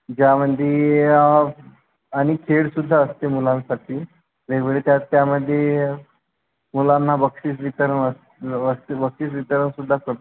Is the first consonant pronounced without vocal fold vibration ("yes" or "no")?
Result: no